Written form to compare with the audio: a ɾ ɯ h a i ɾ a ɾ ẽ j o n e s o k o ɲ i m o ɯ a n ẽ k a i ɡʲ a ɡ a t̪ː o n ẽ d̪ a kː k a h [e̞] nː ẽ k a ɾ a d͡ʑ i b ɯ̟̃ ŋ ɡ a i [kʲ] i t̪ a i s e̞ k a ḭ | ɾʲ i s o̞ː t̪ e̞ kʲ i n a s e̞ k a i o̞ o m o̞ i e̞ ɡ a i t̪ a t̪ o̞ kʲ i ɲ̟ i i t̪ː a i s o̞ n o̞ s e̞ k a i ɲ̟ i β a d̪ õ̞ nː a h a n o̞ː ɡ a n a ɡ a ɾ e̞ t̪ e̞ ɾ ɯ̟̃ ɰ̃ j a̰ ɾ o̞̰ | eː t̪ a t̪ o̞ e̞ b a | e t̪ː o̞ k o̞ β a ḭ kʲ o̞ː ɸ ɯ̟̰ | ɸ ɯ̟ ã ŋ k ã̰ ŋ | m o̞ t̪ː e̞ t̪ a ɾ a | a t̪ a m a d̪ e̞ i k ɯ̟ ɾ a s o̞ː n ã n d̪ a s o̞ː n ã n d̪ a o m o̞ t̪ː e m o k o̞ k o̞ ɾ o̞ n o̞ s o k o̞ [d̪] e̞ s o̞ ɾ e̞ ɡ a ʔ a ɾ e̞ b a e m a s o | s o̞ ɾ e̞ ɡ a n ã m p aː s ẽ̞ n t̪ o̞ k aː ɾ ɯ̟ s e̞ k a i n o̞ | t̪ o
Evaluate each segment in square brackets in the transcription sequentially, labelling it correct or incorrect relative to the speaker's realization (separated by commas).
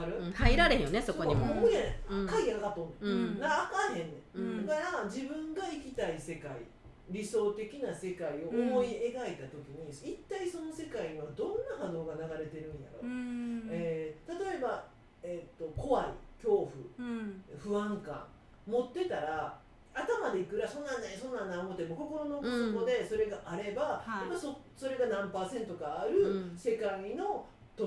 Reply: incorrect, correct, correct